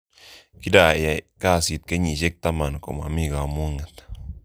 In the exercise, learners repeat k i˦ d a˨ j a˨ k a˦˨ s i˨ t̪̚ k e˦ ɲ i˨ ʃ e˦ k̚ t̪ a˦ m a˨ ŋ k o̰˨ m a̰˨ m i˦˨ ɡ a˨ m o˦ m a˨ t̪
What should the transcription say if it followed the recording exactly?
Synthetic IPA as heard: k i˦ d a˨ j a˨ k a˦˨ s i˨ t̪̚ k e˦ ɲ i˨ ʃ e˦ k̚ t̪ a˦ m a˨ n k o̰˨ m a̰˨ m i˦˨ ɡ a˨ m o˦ ŋ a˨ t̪